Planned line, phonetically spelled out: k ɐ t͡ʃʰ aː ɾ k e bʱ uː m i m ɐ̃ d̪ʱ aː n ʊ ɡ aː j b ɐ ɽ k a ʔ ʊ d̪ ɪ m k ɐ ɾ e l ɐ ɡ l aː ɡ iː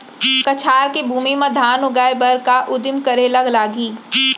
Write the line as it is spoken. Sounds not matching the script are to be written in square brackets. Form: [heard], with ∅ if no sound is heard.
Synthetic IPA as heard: k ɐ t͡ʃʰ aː ɾ k e bʱ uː m i m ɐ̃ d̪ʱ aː n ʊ ɡ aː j b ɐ [ɾ] k a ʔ ʊ d̪ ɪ m k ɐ ɾ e l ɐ ɡ l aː ɡ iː